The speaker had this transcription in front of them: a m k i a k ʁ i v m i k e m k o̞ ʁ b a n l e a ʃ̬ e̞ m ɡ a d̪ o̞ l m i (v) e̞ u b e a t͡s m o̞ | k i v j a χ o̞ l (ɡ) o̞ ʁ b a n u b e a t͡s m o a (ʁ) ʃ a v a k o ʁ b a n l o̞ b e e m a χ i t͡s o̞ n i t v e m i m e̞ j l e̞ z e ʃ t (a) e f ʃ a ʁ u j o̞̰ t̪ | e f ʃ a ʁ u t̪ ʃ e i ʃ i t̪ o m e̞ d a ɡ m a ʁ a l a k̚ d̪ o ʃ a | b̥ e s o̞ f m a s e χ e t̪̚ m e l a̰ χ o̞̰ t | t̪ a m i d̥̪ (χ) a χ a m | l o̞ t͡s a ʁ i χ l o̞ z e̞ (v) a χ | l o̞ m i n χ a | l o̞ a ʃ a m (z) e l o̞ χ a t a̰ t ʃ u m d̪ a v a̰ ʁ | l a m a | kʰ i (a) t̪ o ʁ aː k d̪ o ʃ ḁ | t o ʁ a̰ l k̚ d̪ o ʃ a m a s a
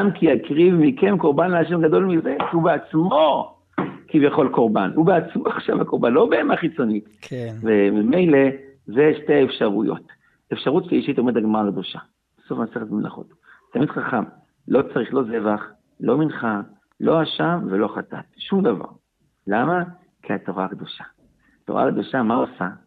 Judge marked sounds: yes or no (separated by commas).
no, no, no, no, yes, yes, no, yes